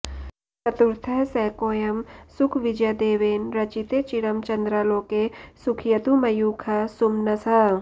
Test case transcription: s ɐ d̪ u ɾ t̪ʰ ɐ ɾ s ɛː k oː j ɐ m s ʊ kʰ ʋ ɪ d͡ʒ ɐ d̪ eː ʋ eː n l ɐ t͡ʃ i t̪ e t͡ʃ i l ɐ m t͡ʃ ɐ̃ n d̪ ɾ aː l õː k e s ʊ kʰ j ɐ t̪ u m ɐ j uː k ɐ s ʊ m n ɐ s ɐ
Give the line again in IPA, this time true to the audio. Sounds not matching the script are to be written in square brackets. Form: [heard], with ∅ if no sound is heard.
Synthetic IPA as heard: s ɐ [t̪] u ɾ t̪ʰ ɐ [∅] s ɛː k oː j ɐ m s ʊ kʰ ʋ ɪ d͡ʒ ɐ d̪ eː ʋ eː n [ɾ] ɐ t͡ʃ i t̪ e t͡ʃ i [ɽ] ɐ m t͡ʃ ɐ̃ n d̪ ɾ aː l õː k e s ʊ kʰ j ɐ t̪ u m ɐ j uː [kʰ] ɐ s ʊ m n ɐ s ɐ